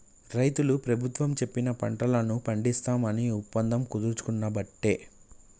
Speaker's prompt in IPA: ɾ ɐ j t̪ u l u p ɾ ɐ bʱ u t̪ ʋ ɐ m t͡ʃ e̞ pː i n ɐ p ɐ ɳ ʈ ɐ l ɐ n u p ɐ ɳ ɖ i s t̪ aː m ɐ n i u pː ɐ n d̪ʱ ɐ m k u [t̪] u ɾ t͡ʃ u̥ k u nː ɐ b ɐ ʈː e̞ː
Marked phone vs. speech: incorrect: d̪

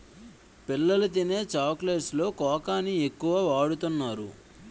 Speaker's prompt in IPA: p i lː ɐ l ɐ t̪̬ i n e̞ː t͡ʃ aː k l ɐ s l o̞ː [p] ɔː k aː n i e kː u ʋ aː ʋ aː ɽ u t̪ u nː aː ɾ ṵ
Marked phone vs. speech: incorrect: k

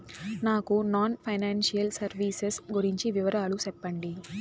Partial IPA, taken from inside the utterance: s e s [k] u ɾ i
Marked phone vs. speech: incorrect: ɡ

